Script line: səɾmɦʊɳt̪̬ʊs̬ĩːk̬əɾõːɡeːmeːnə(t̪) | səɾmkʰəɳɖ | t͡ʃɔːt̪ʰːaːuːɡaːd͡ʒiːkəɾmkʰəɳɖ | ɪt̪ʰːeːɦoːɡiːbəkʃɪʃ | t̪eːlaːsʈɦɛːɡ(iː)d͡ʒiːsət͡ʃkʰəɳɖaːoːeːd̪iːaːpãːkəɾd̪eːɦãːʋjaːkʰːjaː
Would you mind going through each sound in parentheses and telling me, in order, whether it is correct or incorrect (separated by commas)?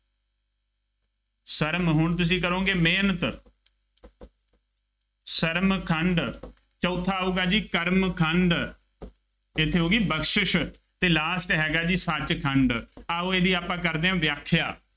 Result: correct, incorrect